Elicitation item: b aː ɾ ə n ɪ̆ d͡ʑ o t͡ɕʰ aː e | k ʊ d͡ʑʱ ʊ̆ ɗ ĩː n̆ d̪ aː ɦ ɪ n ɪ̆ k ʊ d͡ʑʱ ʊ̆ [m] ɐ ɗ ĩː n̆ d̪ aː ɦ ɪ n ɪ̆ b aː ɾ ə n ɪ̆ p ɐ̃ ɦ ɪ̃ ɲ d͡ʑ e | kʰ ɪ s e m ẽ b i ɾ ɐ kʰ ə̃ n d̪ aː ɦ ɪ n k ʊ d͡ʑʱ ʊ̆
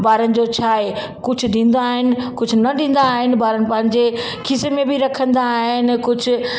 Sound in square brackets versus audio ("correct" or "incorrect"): incorrect